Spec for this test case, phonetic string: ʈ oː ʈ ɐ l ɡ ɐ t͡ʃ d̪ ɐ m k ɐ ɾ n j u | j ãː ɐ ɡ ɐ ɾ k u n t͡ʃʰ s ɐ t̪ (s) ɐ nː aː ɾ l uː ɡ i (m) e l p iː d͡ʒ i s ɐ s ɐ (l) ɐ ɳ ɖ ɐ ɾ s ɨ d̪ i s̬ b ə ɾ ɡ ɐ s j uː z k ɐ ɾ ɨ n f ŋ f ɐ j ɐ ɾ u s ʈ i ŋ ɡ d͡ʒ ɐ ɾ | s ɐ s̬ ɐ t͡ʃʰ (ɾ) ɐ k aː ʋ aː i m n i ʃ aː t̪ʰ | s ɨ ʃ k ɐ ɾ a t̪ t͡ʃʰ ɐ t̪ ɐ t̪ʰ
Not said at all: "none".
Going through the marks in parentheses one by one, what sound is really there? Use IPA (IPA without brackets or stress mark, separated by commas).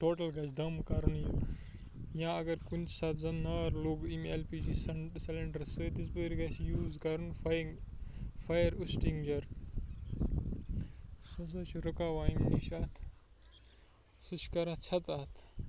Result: z, m, l, ɾ